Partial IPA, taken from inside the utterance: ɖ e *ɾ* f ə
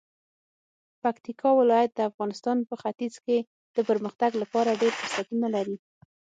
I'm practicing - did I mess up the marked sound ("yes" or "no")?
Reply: no